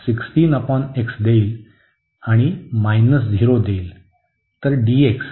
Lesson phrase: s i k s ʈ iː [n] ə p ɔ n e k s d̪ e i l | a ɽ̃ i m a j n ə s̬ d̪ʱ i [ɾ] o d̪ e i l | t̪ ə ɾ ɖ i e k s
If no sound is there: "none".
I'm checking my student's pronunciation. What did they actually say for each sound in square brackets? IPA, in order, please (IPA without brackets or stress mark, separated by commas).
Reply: n, ɾ